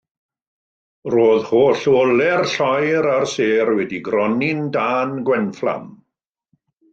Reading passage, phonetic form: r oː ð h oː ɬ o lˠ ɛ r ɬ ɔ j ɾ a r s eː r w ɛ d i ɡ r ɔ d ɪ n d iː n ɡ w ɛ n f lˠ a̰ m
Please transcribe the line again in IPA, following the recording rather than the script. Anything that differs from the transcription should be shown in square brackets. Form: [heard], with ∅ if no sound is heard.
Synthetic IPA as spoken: r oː ð h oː ɬ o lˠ ɛ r ɬ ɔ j ɾ a r s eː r w ɛ d i ɡ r ɔ [n] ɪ n d [aː] n ɡ w ɛ n f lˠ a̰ m